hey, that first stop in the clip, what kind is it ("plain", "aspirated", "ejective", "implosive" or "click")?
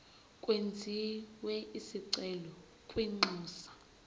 ejective